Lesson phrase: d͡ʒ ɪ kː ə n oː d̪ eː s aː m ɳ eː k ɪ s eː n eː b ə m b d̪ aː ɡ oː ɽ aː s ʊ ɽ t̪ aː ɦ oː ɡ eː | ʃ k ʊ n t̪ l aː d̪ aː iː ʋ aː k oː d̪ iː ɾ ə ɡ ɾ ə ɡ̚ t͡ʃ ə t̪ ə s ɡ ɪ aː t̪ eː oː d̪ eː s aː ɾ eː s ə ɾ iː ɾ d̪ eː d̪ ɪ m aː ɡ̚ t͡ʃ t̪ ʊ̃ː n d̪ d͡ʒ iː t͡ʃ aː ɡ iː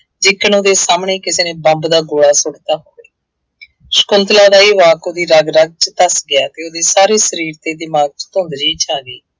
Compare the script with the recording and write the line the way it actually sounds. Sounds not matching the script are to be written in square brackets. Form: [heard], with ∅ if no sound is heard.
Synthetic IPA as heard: d͡ʒ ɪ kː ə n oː d̪ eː s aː m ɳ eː k ɪ s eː n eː b ə m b d̪ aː ɡ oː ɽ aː s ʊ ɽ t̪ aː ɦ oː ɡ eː | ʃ k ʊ n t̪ l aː d̪ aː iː ʋ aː k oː d̪ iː ɾ ə ɡ ɾ ə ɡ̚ t͡ʃ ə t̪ ə s ɡ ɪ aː t̪ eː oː d̪ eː s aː ɾ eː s ə ɾ iː ɾ [t̪] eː d̪ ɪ m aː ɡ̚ t͡ʃ t̪ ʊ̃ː n d̪ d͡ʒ iː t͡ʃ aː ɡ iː